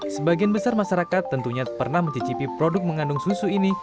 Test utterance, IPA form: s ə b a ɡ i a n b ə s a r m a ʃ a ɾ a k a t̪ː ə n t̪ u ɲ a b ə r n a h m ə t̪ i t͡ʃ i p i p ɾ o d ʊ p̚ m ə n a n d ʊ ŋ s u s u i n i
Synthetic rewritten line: s ə b a ɡ i a n b ə s a r m a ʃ a ɾ a k a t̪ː ə n t̪ u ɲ a p ə r n a h m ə t̪ i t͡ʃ i p i p ɾ o d ʊ k̚ m ə ŋ a n d ʊ ŋ s u s u i n i